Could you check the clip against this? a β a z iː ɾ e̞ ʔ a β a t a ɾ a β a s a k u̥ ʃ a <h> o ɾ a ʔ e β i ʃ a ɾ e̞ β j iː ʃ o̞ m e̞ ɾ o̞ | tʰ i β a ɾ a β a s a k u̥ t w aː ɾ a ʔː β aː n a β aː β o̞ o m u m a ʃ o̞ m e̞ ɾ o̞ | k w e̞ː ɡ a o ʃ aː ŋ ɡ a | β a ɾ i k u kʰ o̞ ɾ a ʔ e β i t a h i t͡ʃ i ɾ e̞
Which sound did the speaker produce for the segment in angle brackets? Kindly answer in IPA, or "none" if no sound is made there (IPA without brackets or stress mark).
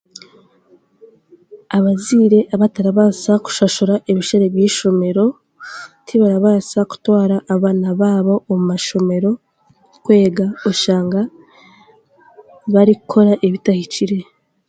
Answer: ʃ